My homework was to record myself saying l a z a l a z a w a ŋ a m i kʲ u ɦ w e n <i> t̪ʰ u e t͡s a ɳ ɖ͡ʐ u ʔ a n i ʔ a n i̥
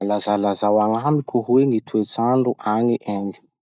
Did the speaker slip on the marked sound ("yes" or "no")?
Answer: no